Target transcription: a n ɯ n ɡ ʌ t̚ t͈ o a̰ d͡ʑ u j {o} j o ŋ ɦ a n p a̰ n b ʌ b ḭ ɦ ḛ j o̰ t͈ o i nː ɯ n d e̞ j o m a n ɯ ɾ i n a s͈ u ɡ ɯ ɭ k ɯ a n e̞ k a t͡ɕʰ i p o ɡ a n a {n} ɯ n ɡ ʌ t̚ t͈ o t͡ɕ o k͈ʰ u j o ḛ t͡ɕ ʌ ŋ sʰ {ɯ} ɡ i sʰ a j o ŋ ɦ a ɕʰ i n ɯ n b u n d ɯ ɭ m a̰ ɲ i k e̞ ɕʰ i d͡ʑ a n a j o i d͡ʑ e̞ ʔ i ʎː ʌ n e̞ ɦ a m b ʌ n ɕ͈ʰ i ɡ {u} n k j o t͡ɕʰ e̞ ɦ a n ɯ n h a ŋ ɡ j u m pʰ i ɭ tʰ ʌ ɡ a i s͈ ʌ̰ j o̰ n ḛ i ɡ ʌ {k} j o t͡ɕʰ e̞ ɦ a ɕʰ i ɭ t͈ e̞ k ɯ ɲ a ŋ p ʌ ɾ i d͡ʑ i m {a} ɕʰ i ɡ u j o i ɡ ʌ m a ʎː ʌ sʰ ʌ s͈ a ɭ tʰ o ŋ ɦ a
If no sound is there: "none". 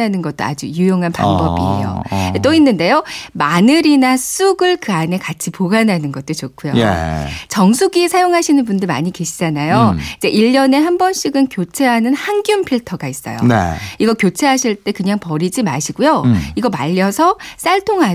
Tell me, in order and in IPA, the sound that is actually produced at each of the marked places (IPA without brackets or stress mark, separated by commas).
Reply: u, n, u, ɯ, k, a